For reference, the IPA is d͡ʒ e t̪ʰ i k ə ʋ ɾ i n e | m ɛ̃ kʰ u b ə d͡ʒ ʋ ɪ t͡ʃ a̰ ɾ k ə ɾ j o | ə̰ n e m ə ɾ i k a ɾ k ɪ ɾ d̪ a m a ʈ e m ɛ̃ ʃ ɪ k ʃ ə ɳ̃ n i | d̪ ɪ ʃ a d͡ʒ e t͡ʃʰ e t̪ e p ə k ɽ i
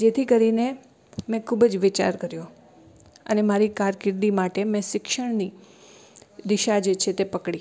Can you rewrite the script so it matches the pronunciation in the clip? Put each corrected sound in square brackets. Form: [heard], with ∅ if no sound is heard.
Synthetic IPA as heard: d͡ʒ e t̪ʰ i k ə [∅] ɾ i n e | m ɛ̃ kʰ u b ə d͡ʒ ʋ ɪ t͡ʃ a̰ ɾ k ə ɾ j o | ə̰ n e m [a] ɾ i k a ɾ k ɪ ɾ d̪ [i] m a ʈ e m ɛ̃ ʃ ɪ k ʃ ə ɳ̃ n i | d̪ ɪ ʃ a d͡ʒ e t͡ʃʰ e t̪ e p ə k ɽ i